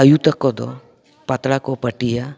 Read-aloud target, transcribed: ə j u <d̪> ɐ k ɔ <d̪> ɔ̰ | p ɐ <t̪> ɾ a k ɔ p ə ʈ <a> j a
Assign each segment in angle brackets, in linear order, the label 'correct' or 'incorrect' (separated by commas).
incorrect, correct, correct, incorrect